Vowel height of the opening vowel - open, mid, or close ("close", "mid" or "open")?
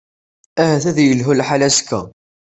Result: open